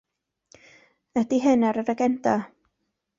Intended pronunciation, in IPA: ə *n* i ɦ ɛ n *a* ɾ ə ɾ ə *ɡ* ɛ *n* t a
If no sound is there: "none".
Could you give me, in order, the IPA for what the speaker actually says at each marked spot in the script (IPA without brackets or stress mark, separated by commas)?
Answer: d, a, ɡ, n